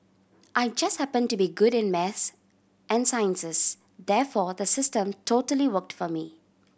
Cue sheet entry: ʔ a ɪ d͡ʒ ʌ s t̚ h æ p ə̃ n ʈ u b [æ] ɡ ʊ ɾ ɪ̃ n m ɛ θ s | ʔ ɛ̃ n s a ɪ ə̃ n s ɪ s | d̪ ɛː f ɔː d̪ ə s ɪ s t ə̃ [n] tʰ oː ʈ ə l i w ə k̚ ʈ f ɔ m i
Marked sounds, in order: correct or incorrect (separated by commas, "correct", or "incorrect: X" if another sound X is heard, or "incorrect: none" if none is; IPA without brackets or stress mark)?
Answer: incorrect: i, incorrect: m